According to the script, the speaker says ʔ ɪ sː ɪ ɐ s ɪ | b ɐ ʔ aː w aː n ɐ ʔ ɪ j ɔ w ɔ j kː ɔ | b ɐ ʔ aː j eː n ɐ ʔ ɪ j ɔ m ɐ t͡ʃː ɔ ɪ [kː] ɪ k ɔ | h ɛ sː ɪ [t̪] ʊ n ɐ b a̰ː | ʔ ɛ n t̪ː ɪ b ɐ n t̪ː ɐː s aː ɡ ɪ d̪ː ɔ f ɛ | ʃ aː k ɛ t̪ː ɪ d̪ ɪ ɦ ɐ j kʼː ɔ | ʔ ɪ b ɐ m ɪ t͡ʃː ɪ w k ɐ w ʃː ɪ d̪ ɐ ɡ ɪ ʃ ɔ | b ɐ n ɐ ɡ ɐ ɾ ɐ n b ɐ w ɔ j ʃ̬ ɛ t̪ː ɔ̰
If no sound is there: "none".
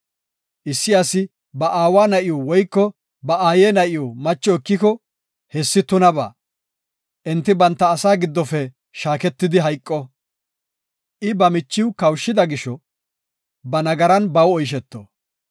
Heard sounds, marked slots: kː, t̪

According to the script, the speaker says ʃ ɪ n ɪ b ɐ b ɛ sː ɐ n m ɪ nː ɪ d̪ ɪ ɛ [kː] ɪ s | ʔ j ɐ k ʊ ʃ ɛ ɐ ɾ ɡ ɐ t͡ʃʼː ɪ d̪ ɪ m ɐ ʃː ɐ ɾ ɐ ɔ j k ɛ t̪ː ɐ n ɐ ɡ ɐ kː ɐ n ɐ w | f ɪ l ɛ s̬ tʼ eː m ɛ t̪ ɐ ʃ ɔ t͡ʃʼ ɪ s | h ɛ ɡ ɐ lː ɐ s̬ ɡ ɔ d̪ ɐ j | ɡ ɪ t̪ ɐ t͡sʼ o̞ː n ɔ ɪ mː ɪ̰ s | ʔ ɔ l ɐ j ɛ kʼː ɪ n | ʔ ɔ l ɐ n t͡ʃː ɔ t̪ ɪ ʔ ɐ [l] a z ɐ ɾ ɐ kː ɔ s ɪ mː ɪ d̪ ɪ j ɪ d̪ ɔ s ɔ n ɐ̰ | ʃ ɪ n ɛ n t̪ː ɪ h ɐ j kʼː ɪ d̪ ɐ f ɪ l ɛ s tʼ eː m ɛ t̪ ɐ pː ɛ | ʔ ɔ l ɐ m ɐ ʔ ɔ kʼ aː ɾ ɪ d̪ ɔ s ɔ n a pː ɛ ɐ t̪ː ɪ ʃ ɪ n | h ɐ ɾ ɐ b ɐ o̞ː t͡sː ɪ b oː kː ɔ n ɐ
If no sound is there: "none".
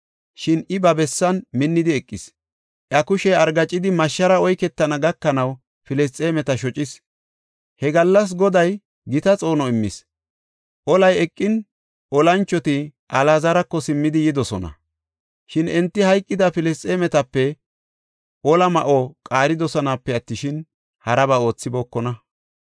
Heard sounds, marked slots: kʼː, l

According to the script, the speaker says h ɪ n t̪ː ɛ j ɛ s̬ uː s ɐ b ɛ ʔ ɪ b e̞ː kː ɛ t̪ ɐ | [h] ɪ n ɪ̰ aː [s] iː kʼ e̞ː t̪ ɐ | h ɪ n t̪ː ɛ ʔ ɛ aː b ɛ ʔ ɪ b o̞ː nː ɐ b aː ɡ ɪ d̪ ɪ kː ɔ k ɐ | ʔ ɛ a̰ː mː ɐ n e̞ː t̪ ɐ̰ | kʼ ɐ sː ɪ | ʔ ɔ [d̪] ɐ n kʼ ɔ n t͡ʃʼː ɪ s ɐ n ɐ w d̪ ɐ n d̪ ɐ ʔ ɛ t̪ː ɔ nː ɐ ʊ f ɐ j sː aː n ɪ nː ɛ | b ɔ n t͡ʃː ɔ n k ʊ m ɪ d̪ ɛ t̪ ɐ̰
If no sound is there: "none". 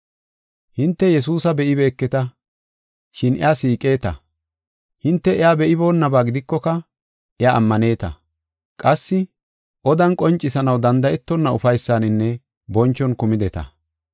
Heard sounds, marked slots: ʃ, s, d̪

